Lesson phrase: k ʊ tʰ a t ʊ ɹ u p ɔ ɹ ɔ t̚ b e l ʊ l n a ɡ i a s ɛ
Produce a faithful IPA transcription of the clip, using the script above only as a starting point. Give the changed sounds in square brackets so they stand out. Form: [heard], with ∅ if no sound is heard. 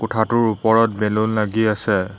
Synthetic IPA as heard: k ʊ tʰ a t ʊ ɹ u p ɔ ɹ ɔ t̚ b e l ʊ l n a ɡ i a s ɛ